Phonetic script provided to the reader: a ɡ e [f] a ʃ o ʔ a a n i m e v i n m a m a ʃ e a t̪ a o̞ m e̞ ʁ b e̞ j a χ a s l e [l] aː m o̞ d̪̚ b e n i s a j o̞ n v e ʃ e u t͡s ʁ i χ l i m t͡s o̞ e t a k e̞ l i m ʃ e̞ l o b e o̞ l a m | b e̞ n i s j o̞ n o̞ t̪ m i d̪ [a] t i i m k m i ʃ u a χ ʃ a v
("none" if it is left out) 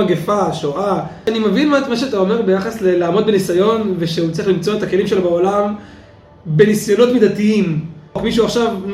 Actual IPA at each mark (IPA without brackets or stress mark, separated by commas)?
f, l, a